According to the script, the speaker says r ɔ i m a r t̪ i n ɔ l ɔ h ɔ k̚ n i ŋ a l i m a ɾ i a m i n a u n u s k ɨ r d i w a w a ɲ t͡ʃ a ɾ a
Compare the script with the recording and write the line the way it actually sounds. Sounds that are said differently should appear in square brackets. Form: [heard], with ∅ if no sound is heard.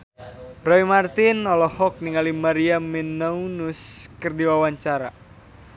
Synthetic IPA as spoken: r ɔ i m a r t̪ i n ɔ l ɔ h ɔ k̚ n i ŋ a l i m a ɾ i a m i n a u n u s k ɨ r d i w a w a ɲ t͡ʃ a ɾ a